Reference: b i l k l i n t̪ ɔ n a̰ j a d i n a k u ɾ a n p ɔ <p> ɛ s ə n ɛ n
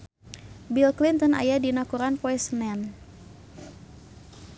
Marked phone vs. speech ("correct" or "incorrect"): incorrect